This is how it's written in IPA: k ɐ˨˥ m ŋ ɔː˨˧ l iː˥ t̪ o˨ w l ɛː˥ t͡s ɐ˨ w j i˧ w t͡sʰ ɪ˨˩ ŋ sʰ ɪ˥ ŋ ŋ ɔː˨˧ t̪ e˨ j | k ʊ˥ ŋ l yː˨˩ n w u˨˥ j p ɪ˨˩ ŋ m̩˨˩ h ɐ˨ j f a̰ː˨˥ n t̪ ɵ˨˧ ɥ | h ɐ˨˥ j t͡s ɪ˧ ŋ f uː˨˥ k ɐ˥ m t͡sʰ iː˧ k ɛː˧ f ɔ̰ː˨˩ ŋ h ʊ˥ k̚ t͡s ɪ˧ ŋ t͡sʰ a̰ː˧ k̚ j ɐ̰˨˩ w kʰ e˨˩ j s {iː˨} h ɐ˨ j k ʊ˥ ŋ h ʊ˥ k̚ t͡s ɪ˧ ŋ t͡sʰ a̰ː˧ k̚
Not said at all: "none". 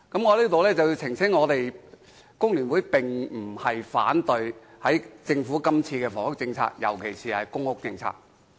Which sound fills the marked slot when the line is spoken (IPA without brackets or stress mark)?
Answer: iː˨